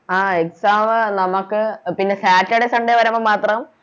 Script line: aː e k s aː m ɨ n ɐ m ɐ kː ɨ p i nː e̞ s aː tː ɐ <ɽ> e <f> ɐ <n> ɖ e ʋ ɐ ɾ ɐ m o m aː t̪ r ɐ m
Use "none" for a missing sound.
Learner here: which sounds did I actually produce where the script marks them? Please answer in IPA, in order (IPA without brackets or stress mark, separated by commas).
ɽ, s, ɳ